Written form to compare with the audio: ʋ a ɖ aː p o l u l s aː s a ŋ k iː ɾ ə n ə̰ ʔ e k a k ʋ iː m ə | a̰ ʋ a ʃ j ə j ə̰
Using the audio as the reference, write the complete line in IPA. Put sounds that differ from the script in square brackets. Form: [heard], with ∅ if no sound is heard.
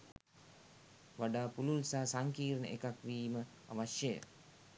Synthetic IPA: ʋ a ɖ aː p [u] l u l s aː s a ŋ k iː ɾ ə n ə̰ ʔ e k a k ʋ iː m ə | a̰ ʋ a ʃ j ə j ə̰